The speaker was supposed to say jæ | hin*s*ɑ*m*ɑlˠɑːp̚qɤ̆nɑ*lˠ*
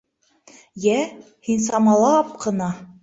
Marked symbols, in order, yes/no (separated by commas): yes, yes, no